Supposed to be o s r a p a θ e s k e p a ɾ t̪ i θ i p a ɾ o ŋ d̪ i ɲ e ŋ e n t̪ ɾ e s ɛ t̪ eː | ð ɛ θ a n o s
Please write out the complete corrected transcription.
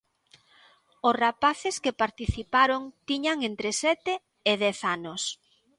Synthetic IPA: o s r a p a θ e s k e p a ɾ t̪ i θ i p a ɾ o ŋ t̪ i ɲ a ŋ e n t̪ ɾ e s ɛ t̪ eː | ð ɛ θ a n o s